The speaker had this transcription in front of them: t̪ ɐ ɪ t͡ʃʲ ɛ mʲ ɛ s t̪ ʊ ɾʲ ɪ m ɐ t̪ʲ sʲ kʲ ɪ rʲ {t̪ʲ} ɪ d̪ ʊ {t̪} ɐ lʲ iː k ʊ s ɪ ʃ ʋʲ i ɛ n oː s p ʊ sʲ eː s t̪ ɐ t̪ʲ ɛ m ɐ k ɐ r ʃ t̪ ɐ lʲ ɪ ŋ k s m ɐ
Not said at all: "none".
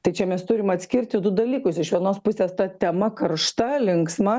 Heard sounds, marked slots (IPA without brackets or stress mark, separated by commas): t̪ʲ, d̪